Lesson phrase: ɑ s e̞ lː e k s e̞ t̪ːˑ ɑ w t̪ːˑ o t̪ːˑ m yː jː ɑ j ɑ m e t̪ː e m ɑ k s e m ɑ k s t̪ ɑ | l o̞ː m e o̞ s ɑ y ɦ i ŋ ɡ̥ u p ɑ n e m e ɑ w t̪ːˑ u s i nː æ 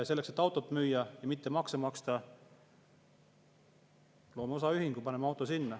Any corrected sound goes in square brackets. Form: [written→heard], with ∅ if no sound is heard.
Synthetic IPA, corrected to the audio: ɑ s e̞ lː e k s e̞ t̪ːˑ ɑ w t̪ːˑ o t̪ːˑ m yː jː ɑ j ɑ m [e→i] t̪ː e m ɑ k s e m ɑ k s t̪ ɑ | l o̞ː m e o̞ s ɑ y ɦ i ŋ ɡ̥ u p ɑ n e m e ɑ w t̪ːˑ [u→o] s i nː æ